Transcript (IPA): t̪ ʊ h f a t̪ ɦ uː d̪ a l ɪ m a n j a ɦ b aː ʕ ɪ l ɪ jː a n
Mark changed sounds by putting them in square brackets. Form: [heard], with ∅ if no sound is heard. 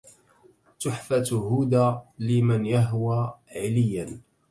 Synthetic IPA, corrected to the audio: t̪ ʊ [ħ] f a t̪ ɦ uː d̪ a l ɪ m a n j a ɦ [w] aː ʕ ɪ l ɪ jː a n

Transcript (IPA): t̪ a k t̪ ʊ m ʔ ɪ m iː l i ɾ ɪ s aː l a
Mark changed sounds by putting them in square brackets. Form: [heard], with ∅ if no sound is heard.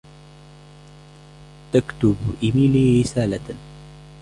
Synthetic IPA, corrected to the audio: t̪ a k t̪ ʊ [b] ʔ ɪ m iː l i ɾ ɪ s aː l a

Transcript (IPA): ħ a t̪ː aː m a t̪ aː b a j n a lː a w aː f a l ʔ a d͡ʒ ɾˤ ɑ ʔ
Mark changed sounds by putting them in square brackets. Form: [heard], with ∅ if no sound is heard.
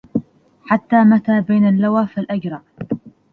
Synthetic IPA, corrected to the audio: ħ a t̪ː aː m a t̪ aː b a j n a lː a w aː f a l ʔ a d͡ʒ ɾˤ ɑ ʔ

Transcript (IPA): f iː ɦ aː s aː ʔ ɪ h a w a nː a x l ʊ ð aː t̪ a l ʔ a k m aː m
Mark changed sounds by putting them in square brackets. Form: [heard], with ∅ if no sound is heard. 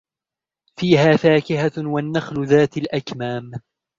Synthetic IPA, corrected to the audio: f iː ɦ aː [f] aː [k] ɪ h a w a nː a x l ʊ ð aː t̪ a l ʔ a k m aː m

